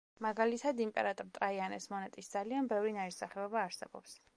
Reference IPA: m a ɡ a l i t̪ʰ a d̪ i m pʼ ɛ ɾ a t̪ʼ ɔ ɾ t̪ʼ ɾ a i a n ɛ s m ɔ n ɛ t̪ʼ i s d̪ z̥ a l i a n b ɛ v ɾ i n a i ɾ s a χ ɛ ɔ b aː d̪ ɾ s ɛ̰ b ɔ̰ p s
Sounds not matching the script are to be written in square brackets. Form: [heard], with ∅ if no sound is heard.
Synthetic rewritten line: m a ɡ a l i t̪ʰ a d̪ i m pʼ ɛ ɾ a t̪ʼ ɔ ɾ t̪ʼ ɾ a i a n ɛ s m ɔ n ɛ t̪ʼ i s d̪ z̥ a l i a n b ɛ v ɾ i n a i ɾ s a χ ɛ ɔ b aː [∅] ɾ s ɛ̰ b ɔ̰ p s